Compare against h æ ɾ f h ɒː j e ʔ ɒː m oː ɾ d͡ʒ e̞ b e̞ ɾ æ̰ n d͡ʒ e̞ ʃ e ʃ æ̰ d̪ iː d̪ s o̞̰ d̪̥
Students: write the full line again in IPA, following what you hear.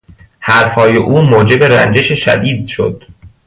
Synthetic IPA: h æ ɾ f h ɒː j e ʔ uː m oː d͡ʒ e̞ b e̞ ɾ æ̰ n d͡ʒ e̞ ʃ e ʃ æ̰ d̪ iː d̪ ʃ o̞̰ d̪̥